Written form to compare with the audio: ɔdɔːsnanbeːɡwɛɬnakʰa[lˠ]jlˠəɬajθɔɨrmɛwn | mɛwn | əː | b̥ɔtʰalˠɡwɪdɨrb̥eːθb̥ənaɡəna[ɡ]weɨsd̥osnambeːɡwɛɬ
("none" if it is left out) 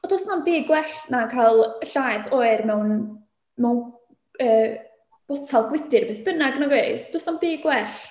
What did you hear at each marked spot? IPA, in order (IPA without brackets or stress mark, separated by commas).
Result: none, ɡ